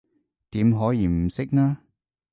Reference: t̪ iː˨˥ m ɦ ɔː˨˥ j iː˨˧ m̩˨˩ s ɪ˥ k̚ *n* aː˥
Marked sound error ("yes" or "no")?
no